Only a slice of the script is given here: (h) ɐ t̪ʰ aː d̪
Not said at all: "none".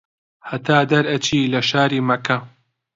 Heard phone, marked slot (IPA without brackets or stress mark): h